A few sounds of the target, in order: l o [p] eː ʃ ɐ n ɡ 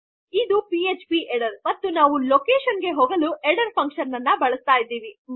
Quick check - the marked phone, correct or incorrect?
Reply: incorrect